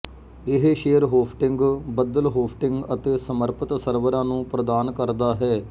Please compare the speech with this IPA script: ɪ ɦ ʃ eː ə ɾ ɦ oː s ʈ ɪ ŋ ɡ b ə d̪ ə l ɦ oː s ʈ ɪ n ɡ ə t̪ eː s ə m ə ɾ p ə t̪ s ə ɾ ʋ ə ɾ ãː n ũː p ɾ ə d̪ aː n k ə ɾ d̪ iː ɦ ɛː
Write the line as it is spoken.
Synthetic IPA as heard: ɪ ɦ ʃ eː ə ɾ ɦ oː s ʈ ɪ ŋ ɡ b ə d̪ ə l ɦ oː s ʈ ɪ ŋ ɡ ə t̪ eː s ə m ə ɾ p ə t̪ s ə ɾ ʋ ə ɾ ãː n ũː p ɾ ə d̪ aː n k ə ɾ d̪ aː ɦ ɛː